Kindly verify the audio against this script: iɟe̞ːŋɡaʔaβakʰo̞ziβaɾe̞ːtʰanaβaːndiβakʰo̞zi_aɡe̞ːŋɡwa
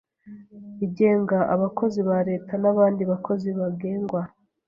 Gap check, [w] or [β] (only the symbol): β